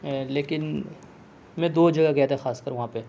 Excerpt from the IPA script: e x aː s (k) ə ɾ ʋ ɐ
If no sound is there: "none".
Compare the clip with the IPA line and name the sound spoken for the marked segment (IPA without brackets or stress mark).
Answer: k